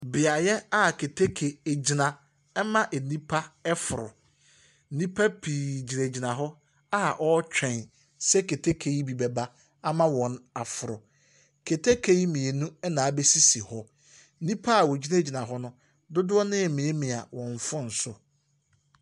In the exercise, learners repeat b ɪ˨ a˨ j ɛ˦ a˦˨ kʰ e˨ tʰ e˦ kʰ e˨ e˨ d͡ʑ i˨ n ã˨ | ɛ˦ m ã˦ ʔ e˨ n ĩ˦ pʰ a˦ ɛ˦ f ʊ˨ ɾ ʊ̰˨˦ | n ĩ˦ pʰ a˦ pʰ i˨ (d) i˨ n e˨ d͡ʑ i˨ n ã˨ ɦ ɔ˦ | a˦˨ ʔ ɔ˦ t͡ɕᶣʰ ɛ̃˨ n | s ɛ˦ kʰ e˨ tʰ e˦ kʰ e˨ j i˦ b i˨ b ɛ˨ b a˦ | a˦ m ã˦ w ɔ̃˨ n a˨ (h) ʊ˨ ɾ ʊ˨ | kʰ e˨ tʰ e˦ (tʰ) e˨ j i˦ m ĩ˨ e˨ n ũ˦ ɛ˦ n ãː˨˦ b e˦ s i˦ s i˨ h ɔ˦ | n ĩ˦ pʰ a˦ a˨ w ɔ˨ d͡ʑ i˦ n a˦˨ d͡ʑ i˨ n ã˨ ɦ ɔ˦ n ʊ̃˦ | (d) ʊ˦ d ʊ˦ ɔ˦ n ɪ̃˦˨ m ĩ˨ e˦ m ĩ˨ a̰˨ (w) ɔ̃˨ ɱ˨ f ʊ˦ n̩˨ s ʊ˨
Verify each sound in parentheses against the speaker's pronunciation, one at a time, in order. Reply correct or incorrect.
incorrect: d͡ʑ, incorrect: f, incorrect: kʰ, correct, correct

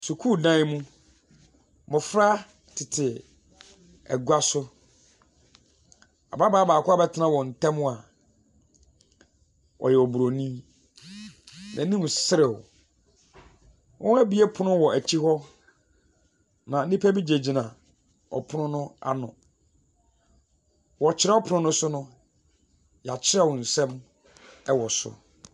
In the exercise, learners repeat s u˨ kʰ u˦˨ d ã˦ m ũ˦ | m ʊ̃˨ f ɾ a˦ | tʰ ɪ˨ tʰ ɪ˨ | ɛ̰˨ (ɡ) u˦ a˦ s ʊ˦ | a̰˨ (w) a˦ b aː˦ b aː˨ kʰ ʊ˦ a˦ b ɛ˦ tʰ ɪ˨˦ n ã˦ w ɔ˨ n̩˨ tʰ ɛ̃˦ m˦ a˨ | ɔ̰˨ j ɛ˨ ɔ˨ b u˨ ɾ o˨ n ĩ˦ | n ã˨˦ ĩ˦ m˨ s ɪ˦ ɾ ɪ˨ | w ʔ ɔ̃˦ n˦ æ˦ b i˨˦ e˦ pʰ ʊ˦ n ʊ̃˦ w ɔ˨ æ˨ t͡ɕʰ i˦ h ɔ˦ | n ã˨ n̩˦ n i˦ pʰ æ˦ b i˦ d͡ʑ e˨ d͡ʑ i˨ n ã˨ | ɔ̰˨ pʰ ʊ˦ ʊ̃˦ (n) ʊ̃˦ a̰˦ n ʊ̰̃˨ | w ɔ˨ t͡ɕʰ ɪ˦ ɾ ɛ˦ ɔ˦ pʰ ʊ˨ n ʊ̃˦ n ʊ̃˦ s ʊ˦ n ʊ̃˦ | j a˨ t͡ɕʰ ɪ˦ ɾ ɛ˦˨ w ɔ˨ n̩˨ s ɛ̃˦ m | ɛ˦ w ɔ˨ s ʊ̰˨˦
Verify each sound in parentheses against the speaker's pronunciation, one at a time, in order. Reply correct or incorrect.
correct, incorrect: b, correct

